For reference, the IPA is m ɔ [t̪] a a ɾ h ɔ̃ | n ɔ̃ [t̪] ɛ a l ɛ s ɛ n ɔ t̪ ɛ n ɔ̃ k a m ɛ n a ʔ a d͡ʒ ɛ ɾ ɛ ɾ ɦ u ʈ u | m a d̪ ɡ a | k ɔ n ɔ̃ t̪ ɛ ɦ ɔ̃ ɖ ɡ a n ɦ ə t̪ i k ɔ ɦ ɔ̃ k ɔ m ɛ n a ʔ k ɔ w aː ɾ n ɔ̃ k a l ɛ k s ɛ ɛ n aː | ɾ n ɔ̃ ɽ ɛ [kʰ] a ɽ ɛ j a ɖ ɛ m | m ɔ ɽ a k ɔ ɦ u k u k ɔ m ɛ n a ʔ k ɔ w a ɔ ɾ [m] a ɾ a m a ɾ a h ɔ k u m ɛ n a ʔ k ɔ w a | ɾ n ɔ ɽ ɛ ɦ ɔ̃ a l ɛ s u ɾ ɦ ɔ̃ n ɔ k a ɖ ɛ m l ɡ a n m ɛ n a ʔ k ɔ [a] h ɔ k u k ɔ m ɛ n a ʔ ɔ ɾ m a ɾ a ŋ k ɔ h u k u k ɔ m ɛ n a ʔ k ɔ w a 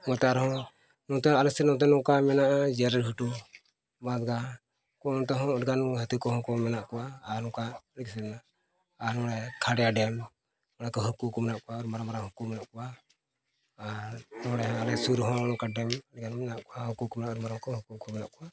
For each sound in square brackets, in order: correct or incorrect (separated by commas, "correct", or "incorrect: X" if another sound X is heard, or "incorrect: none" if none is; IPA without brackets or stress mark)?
correct, correct, correct, correct, correct